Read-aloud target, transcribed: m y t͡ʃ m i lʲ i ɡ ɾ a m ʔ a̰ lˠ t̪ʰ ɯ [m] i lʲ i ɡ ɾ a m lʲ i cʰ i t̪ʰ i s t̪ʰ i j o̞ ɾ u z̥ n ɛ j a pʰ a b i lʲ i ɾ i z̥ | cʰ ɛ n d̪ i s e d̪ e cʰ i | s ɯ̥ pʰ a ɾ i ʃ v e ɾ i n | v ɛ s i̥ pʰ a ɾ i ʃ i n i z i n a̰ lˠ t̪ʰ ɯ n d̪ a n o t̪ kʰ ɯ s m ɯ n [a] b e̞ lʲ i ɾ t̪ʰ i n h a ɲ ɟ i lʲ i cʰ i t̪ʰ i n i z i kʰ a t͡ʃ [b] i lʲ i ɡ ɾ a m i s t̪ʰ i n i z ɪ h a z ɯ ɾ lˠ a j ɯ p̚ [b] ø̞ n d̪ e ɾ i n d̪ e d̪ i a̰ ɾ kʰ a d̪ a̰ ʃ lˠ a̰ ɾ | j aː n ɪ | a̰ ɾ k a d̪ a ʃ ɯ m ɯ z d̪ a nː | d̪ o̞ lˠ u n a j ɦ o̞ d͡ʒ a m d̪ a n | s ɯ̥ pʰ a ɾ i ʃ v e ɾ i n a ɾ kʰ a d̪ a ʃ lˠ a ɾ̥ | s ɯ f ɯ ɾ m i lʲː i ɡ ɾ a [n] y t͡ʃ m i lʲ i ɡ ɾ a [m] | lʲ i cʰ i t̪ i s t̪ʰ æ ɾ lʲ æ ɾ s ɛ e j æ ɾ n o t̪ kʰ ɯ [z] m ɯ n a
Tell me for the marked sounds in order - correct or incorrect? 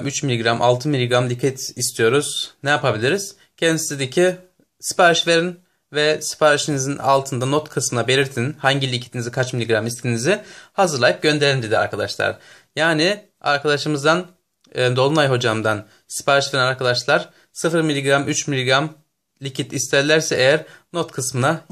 correct, correct, incorrect, incorrect, incorrect, correct, incorrect

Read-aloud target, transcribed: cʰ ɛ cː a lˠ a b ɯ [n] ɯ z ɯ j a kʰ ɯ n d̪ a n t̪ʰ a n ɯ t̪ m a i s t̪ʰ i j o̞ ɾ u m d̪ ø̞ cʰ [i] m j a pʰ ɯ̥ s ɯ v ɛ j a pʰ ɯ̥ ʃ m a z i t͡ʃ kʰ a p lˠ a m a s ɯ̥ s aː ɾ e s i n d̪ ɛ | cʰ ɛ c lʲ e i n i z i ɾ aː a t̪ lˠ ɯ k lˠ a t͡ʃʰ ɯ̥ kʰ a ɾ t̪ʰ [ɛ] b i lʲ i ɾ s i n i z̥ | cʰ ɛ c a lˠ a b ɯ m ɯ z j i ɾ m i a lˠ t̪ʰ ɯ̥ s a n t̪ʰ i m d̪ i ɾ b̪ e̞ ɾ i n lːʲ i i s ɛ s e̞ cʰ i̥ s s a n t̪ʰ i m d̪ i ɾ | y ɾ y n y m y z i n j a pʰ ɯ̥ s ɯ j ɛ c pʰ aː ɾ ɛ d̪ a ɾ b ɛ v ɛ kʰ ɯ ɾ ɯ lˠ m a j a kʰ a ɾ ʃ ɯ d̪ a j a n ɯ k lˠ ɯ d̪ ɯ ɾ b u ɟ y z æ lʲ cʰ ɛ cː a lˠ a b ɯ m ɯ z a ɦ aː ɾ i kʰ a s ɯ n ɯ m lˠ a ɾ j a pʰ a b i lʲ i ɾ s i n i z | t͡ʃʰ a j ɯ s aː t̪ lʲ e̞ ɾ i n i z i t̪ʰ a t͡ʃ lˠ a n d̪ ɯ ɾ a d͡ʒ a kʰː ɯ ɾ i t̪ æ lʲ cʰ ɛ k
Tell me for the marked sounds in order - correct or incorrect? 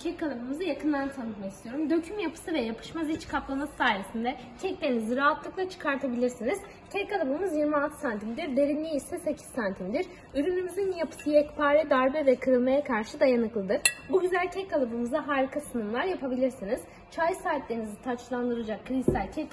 incorrect, incorrect, incorrect

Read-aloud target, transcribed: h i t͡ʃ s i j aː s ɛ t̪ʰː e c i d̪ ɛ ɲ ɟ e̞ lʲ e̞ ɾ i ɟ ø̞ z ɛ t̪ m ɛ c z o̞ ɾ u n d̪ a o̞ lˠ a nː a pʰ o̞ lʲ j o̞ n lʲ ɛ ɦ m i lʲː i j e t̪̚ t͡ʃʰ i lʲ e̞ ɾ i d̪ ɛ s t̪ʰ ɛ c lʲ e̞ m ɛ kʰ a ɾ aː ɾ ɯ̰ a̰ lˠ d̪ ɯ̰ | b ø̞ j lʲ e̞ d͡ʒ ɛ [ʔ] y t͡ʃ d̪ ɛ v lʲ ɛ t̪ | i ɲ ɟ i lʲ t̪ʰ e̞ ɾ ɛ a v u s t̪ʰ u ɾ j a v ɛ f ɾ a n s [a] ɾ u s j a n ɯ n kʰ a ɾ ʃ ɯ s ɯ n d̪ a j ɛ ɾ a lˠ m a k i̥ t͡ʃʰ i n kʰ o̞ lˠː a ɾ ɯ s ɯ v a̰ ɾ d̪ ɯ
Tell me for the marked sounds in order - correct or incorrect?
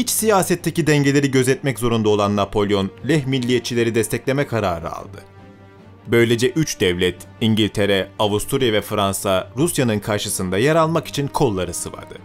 correct, correct

